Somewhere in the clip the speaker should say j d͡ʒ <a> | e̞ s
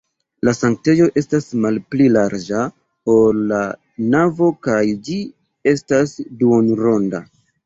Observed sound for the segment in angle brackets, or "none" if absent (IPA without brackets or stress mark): i